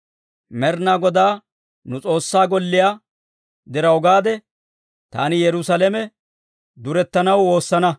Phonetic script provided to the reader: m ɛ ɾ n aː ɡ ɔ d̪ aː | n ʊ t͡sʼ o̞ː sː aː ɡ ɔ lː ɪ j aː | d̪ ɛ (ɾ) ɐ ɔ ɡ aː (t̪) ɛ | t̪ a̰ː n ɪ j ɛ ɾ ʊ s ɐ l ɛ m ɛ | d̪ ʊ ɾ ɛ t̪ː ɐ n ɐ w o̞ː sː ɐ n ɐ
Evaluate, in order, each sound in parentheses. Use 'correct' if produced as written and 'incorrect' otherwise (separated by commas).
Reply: correct, incorrect